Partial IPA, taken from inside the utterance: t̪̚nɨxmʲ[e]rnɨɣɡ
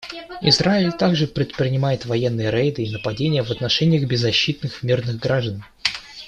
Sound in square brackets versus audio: incorrect: i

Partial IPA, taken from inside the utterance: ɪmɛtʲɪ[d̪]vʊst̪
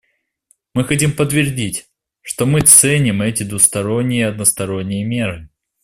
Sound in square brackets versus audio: correct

